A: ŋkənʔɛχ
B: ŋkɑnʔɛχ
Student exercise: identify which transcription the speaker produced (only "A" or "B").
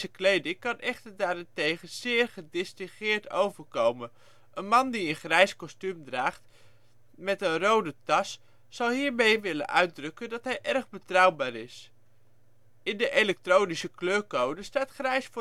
B